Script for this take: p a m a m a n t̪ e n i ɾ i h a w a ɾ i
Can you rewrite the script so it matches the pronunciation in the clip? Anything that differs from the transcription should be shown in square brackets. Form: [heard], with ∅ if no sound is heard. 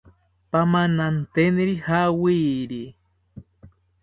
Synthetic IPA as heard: p a m a [n] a n t̪ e n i ɾ i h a w [i] ɾ i